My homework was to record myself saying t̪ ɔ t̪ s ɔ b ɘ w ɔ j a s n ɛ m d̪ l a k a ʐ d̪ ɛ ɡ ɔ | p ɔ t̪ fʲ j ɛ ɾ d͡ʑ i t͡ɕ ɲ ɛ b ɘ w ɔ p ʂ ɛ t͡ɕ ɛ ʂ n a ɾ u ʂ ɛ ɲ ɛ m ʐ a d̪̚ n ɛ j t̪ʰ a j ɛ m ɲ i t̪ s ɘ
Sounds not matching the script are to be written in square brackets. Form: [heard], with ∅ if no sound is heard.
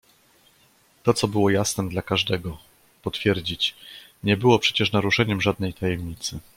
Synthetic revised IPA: t̪ ɔ t̪ s ɔ b ɘ w ɔ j a s n ɛ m d̪ l a k a ʐ d̪ ɛ ɡ ɔ | p ɔ t̪ fʲ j ɛ ɾ d͡ʑ i t͡ɕ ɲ ɛ b ɘ w ɔ p ʂ ɛ t͡ɕ ɛ ʂ n a ɾ u ʂ ɛ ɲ ɛ m ʐ a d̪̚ n ɛ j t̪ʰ a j ɛ m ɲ i t̪ s ɘ